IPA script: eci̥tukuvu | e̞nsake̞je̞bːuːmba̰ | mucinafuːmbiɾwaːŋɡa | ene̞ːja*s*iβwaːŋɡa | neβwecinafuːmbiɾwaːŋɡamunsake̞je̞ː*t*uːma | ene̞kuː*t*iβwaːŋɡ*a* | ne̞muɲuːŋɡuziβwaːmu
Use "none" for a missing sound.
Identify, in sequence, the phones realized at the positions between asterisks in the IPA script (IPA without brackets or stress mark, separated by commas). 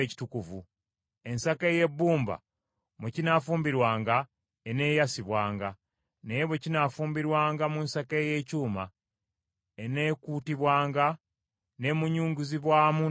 s, c, t, a